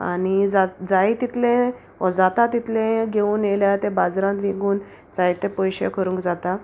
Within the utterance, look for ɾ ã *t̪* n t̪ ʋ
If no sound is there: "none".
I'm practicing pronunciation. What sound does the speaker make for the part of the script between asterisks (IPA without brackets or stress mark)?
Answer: none